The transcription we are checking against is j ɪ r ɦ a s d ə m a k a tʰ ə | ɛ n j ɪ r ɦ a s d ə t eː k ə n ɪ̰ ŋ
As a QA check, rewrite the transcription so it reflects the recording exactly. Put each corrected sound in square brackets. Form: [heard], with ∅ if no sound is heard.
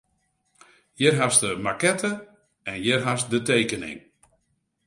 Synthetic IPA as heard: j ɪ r ɦ a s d ə m a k [ɛ] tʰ ə | ɛ n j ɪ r ɦ a s d ə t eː k ə n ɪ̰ ŋ